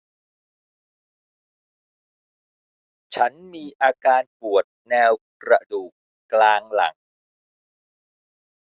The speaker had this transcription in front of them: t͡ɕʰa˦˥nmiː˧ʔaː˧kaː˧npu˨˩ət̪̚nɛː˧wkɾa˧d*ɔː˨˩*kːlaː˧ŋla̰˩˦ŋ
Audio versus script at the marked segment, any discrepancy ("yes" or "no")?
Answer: yes